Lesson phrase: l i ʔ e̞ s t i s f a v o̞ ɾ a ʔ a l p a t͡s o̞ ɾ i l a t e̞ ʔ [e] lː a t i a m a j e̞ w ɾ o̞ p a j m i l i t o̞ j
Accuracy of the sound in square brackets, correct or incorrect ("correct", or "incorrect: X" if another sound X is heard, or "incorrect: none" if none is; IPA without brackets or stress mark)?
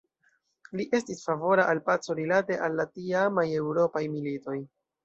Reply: incorrect: a